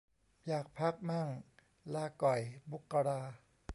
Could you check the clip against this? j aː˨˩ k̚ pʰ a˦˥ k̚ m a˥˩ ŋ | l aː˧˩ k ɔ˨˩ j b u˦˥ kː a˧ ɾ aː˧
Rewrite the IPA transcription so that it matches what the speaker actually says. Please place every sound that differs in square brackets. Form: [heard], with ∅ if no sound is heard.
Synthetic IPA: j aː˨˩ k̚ pʰ a˦˥ k̚ m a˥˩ ŋ | l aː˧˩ k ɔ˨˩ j b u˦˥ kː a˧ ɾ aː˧